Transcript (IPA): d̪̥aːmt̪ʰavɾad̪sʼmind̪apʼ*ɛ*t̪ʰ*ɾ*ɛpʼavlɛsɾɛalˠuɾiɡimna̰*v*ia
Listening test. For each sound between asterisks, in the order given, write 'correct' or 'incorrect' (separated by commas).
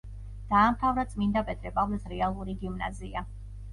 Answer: correct, correct, incorrect